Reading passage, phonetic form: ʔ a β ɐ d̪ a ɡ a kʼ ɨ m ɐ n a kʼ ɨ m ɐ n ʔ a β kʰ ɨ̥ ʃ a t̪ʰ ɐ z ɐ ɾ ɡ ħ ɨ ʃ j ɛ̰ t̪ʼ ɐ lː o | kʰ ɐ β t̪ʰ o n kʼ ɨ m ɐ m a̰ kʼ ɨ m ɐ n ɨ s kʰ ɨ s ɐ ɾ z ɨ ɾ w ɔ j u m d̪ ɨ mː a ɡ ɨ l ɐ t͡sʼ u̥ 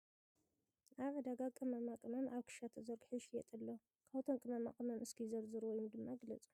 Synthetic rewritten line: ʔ a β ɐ d̪ a ɡ a kʼ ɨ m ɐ m a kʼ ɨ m ɐ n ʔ a β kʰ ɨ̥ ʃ a t̪ʰ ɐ z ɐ ɾ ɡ ħ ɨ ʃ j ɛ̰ t̪ʼ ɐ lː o | kʰ a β t̪ʰ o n kʼ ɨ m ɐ m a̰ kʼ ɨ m ɐ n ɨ s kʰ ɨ z ɐ ɾ z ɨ ɾ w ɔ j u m d̪ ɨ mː a ɡ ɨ l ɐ t͡sʼ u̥